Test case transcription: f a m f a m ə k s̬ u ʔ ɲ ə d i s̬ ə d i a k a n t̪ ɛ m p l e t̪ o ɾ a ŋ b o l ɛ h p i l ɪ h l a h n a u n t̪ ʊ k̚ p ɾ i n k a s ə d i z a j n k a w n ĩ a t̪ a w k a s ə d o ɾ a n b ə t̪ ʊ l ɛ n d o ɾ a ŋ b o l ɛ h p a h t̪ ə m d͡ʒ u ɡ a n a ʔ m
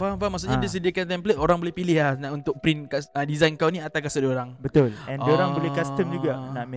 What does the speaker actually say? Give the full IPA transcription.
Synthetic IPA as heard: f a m f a m a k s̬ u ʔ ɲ a d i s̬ ə d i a k a n t̪ ɛ m p l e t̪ o ɾ a ŋ b o l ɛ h p i l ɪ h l a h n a u n t̪ ʊ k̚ p ɾ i n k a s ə d i z a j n k a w n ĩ a t̪ a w k a s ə d o ɾ a ŋ b ə t̪ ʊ l ɛ n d o ɾ a ŋ b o l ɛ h k a s t̪ ə m d͡ʒ u ɡ a n a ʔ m